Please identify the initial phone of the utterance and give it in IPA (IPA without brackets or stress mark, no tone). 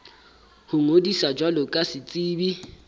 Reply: h